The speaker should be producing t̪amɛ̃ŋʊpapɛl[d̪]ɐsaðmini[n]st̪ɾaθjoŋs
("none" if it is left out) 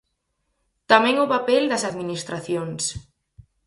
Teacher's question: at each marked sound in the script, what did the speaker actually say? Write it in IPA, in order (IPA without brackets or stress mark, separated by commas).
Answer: d̪, none